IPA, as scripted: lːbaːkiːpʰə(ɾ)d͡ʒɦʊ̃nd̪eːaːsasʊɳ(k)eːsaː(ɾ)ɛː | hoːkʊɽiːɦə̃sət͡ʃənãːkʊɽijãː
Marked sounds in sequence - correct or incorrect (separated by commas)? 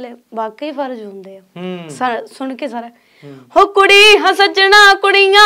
correct, correct, correct